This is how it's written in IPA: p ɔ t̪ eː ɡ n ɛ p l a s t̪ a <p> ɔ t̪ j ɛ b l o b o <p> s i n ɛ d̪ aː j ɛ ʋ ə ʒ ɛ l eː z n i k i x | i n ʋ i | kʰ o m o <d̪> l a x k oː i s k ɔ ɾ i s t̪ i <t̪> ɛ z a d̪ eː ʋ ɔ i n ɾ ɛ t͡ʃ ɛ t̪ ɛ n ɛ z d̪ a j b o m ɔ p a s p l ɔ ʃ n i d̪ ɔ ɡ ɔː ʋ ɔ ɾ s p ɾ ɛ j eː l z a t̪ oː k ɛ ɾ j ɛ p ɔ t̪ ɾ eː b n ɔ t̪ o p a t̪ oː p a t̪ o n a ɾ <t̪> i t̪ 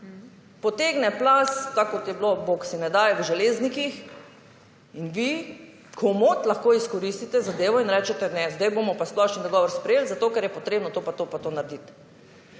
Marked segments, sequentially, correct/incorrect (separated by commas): incorrect, incorrect, incorrect, correct, incorrect